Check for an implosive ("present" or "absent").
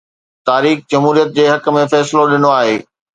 present